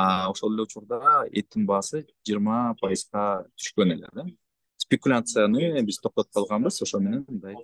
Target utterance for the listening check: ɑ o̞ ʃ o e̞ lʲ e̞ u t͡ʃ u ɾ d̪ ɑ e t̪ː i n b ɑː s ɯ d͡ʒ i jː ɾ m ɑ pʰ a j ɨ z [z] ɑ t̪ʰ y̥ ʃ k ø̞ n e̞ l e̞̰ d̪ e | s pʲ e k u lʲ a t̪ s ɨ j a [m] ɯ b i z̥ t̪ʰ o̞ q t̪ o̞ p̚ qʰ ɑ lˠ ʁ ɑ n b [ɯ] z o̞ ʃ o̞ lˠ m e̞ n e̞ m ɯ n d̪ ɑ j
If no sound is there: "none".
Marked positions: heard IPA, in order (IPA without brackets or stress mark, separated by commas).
ʁ, n, ɯ